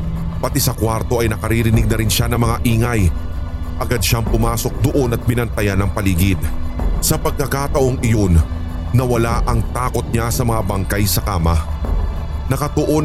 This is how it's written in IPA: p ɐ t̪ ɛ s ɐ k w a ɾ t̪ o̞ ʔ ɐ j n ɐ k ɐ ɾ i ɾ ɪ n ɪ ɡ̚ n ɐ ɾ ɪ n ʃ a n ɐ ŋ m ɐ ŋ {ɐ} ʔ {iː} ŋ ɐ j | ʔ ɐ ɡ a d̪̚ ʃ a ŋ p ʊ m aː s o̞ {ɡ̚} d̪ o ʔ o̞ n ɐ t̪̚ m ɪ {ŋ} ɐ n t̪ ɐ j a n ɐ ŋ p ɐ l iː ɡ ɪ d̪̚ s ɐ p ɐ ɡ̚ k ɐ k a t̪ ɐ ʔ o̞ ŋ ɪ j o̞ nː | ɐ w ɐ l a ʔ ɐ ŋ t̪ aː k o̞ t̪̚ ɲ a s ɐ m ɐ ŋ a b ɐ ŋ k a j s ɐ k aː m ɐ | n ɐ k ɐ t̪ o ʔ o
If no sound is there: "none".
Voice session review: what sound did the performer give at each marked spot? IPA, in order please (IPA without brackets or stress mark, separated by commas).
a, iː, k̚, n